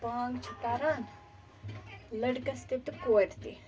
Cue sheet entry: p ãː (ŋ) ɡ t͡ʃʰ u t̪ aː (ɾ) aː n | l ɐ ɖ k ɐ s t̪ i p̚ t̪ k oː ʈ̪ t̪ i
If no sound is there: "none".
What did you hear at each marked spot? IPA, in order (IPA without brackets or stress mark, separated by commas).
ŋ, ɾ